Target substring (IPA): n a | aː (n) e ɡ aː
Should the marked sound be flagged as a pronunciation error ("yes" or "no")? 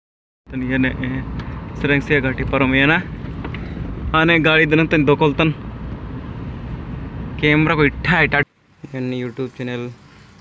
no